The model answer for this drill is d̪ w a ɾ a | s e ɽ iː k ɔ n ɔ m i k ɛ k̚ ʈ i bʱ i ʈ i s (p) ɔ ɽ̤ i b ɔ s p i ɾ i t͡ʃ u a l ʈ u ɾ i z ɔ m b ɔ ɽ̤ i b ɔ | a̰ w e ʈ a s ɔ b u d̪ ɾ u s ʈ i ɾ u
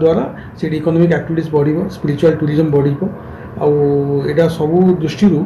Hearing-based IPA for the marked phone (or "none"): b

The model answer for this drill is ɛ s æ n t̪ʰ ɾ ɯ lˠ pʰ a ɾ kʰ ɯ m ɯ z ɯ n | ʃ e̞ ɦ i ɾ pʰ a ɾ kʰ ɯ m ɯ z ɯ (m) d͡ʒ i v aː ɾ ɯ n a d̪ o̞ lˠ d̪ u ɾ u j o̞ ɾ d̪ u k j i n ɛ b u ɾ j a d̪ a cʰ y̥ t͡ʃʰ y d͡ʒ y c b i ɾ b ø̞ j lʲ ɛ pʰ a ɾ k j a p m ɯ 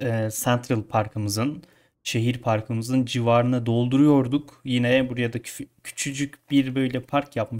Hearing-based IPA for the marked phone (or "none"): n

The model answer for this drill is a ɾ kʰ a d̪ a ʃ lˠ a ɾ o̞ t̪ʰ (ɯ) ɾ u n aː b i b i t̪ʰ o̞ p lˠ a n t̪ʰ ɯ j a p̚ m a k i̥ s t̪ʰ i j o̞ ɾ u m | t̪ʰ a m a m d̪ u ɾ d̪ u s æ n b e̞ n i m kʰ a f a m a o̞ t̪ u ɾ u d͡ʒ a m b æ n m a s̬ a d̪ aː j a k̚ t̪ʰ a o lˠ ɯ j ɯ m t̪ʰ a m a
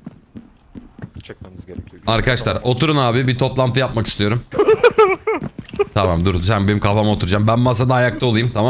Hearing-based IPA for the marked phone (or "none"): u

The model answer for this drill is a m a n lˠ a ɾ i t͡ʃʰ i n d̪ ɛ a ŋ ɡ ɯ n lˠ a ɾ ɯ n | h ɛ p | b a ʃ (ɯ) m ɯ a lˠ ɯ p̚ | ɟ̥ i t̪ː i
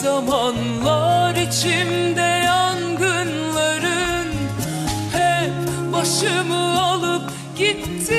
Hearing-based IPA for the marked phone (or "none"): ɯ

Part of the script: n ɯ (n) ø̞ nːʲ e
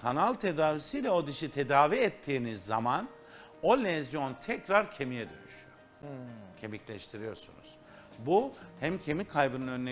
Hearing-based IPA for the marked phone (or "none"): n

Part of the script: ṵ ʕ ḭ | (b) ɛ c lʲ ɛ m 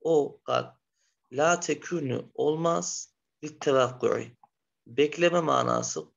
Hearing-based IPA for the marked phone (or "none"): b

